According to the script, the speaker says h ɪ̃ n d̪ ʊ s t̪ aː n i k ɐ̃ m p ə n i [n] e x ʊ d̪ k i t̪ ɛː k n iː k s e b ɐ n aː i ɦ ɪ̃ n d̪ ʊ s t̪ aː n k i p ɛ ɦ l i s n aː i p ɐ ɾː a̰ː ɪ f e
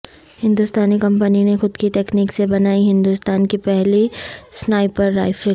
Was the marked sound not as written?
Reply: no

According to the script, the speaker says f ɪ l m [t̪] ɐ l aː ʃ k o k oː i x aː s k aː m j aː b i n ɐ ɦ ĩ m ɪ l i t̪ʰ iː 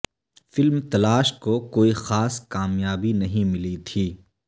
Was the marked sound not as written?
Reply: no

